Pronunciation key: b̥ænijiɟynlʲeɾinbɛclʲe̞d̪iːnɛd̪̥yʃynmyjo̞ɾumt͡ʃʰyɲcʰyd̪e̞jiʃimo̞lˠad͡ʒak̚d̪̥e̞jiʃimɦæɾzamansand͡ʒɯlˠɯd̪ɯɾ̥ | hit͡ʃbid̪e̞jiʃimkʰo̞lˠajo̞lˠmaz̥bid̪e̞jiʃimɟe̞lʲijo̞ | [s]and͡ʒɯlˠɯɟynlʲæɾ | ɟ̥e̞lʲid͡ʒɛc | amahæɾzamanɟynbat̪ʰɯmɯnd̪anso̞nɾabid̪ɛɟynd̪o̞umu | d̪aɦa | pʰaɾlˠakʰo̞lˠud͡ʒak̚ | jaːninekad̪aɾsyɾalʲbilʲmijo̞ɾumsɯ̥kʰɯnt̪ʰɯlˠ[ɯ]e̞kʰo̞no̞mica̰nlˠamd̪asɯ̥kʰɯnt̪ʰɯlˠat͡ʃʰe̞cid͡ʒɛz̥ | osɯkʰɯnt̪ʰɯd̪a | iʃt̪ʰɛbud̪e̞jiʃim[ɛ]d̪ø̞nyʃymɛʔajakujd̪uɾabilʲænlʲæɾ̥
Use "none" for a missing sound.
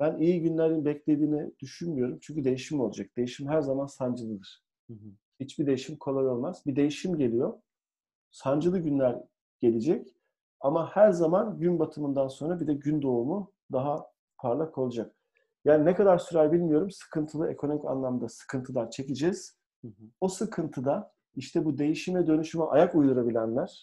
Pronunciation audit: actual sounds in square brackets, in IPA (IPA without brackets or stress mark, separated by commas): s, ɯ, ɛ